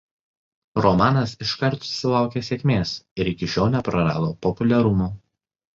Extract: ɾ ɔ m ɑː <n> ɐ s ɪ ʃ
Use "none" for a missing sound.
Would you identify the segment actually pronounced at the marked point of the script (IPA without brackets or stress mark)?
n